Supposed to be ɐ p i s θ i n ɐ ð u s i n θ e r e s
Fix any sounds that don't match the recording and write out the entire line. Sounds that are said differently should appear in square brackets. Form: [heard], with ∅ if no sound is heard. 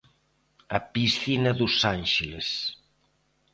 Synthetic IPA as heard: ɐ p i s θ i n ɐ ð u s [a] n [ʃ] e [l] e s